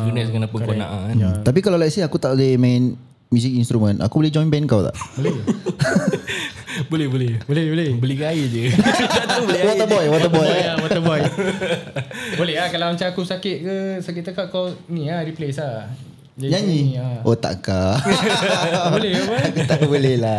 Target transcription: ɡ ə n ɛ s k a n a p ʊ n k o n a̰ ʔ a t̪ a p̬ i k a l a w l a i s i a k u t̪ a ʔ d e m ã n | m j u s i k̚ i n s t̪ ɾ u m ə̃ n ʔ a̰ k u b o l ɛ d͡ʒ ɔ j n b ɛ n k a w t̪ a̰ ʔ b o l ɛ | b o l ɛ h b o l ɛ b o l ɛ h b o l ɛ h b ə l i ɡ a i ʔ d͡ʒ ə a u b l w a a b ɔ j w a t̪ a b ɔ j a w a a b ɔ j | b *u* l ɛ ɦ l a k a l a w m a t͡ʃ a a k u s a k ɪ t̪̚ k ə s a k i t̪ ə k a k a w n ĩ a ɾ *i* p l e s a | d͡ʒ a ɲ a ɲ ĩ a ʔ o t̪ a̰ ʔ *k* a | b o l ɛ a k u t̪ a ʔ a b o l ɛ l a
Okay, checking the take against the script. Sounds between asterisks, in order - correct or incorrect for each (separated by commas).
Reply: incorrect, correct, correct